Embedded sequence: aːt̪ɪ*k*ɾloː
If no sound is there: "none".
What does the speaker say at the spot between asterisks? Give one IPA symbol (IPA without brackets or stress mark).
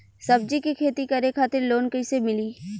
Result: none